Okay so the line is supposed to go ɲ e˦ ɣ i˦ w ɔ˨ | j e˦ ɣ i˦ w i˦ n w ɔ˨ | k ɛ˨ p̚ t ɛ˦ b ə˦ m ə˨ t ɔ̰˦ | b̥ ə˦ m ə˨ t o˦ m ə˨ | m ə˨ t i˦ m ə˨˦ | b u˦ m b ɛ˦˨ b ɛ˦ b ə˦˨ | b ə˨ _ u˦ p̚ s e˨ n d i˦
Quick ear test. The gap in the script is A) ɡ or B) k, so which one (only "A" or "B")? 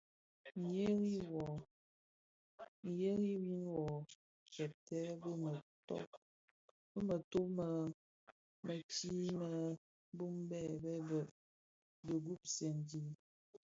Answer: A